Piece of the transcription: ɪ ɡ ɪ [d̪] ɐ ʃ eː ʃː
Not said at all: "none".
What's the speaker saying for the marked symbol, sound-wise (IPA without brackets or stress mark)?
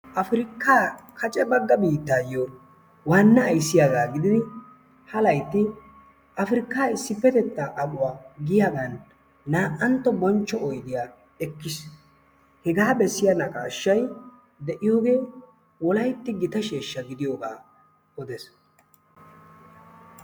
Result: t̪